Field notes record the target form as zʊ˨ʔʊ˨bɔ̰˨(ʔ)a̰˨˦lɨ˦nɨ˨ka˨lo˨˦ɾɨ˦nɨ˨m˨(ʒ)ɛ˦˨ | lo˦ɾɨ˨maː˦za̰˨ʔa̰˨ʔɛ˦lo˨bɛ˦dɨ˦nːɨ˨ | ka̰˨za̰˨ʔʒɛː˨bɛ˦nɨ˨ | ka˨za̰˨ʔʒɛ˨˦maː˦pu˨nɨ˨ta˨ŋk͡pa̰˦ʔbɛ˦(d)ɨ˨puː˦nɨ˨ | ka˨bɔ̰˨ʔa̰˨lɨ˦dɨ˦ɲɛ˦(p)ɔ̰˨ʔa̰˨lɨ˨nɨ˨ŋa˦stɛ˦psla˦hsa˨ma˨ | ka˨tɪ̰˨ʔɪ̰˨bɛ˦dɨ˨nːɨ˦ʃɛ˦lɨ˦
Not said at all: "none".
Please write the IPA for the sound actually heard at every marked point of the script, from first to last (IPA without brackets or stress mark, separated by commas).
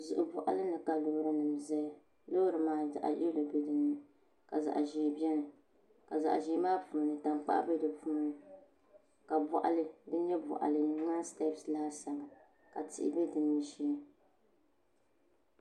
ʔ, z, d, b